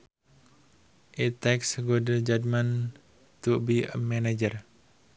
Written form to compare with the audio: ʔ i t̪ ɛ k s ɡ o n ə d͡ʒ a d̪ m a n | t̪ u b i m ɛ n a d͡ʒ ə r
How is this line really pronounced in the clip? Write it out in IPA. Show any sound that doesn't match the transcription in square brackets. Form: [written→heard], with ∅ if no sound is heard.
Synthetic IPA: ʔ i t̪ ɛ k s ɡ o [n→d] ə d͡ʒ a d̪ m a n | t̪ u b i m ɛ n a d͡ʒ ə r